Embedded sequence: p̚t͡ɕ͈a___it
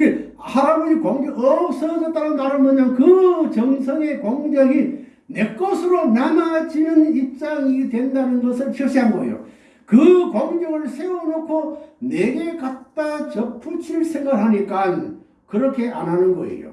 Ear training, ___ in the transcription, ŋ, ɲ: ŋ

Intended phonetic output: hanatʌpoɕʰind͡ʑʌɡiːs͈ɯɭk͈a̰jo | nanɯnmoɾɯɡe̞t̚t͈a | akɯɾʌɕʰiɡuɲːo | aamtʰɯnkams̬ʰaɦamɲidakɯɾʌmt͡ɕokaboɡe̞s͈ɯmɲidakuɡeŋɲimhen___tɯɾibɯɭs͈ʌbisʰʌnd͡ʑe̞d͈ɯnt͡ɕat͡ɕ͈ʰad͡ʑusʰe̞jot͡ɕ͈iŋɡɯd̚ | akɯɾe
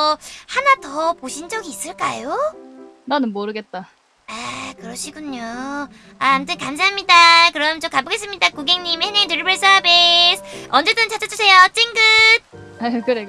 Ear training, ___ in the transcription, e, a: e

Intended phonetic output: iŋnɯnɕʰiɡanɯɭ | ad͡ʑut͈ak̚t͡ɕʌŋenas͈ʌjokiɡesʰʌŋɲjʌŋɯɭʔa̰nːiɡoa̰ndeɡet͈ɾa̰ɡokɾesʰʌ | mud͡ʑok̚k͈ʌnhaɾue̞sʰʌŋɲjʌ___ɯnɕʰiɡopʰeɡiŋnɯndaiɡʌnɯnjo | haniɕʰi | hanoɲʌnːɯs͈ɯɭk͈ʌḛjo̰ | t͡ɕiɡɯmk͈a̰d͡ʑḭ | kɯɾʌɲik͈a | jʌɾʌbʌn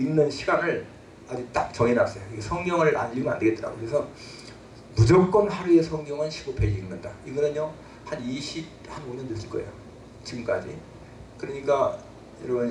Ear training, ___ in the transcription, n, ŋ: ŋ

